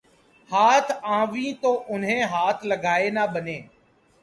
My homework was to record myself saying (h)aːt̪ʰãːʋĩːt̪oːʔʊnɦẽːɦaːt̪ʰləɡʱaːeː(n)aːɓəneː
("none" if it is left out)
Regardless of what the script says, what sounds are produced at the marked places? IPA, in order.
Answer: h, n

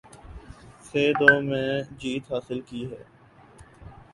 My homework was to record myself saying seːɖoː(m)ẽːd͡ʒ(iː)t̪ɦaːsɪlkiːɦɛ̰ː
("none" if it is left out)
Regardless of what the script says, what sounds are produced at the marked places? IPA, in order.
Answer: m, iː

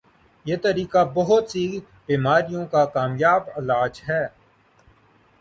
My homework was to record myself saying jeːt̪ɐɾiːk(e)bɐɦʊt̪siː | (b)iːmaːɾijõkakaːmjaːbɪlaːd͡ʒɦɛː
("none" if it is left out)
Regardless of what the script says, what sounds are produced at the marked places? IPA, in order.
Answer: a, b

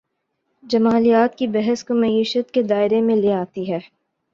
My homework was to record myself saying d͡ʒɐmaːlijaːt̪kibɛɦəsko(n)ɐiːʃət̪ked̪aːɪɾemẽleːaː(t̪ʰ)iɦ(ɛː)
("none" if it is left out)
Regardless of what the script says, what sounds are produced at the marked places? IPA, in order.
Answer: m, t̪, ɛː

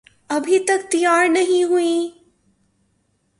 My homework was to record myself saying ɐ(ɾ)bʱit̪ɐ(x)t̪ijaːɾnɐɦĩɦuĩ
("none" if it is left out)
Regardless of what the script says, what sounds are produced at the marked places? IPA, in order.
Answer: none, k

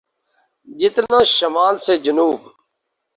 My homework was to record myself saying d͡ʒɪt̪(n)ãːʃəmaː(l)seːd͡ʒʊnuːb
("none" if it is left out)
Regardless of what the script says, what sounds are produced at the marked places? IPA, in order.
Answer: n, l

